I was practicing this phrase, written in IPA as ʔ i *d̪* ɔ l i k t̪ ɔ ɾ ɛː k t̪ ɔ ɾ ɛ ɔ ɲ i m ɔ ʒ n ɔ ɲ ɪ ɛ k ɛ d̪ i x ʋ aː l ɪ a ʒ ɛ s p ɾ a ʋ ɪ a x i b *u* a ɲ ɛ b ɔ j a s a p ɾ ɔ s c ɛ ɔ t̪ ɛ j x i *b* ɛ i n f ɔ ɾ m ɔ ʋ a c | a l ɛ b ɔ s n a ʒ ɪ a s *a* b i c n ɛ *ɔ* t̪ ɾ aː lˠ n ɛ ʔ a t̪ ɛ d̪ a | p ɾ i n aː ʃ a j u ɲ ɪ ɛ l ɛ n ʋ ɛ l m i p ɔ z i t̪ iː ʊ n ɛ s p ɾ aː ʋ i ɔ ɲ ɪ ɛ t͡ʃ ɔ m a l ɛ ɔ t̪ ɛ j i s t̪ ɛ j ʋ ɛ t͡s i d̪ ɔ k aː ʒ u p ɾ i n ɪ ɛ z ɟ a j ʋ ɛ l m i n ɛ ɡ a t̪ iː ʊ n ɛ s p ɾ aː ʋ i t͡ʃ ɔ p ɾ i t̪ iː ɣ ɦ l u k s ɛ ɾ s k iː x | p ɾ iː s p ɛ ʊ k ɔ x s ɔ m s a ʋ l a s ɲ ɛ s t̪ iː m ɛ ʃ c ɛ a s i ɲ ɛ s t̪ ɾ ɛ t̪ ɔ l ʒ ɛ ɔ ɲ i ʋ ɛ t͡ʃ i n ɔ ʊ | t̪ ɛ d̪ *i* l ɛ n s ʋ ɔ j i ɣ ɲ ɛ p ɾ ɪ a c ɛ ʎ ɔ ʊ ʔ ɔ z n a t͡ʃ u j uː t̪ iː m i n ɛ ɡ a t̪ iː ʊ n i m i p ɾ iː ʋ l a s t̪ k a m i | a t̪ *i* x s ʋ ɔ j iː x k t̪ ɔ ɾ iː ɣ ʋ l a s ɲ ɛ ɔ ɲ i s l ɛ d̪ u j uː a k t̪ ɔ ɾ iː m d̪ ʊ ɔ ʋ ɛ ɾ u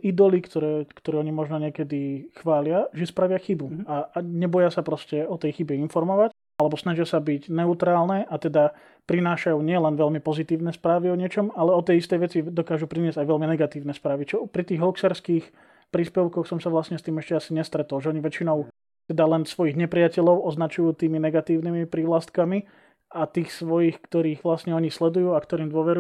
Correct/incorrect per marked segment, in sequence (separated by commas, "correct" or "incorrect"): correct, correct, correct, correct, incorrect, incorrect, incorrect